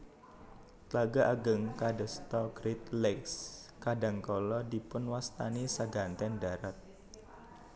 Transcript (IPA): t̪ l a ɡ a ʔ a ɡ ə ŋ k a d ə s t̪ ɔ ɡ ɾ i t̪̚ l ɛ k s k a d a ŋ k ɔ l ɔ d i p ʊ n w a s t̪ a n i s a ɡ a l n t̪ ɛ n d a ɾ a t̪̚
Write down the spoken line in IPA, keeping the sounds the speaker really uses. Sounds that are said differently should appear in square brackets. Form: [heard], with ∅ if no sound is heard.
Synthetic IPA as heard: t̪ l a ɡ a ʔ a ɡ ə ŋ k a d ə s t̪ ɔ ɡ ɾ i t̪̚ l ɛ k s k a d a ŋ k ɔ l ɔ d i p ʊ n w a s t̪ a n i s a ɡ a [∅] n t̪ ɛ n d a ɾ a t̪̚